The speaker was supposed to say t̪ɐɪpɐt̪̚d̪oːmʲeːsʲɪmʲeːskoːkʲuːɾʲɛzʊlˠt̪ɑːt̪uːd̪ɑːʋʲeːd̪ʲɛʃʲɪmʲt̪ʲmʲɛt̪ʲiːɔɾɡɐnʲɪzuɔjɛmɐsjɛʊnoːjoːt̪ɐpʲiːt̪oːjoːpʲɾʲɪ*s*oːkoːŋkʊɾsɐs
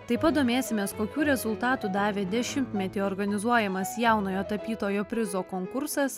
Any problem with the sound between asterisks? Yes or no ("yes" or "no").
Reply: yes